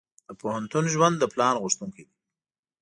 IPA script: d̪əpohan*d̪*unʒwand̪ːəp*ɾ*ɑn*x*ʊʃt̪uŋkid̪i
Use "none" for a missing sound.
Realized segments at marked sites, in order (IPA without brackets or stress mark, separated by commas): t̪, l, ɣ